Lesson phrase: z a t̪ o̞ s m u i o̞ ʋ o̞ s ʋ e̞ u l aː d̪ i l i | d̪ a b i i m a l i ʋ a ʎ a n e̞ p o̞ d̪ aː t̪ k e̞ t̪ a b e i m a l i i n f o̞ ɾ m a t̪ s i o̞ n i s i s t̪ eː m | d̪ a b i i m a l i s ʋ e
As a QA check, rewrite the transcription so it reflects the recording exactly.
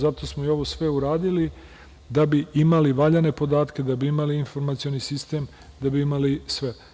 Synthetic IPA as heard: z a t̪ o̞ s m o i o̞ ʋ o̞ s ʋ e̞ u ɾ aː d̪ i l i | d̪ a b i i m a l i ʋ a ʎ a n e̞ p o̞ d̪ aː t̪ k e̞ d̪ a b i i m a l i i n f o̞ ɾ m a t̪ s i o̞ n i s i s t̪ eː m | d̪ a b i i m a l i s ʋ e